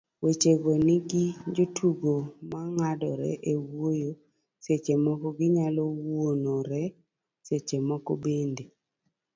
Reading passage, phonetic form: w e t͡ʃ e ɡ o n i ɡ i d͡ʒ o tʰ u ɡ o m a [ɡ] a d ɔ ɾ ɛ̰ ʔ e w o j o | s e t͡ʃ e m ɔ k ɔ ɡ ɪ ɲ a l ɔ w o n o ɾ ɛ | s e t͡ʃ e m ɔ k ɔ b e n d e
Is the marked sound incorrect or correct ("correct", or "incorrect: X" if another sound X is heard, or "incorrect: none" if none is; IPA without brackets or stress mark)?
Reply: incorrect: ŋ